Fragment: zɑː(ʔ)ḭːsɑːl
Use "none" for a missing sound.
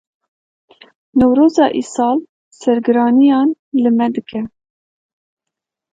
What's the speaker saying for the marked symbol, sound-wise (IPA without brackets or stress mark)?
ʔ